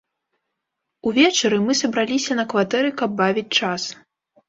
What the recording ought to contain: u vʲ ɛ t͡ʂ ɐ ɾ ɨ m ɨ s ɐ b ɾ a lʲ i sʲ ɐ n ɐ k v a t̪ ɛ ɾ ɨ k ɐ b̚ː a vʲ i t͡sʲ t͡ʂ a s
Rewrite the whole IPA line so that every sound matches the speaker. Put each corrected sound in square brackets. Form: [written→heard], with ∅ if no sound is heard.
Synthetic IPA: u vʲ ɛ t͡ʂ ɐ ɾ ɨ m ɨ s ɐ b ɾ a lʲ i sʲ ɐ n ɐ k v a t̪ ɛ ɾ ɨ k ɐ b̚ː a vʲ i t͡sʲ t͡ʂ a s